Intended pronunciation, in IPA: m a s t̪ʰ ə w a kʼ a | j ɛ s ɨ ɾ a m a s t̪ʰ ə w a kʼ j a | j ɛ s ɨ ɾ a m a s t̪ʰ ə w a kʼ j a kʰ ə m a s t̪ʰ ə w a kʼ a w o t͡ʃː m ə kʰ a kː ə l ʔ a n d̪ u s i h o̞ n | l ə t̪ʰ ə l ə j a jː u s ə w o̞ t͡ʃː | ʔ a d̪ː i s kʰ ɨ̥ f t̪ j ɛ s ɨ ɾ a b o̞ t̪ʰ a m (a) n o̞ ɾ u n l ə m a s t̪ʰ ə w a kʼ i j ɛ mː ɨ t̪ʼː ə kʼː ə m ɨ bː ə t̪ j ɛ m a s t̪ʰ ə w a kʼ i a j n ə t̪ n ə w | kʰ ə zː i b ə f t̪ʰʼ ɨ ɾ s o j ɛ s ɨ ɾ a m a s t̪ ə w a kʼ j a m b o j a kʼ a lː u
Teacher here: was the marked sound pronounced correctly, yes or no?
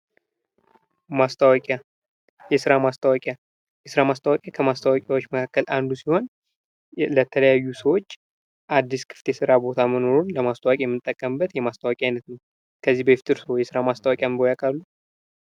no